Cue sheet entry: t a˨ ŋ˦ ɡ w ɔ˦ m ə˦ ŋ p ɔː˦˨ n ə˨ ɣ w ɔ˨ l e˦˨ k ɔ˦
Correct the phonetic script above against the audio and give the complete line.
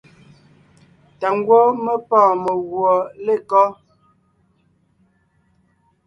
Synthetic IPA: t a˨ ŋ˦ ɡ w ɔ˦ m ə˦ p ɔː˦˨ m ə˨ ɣ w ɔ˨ l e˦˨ k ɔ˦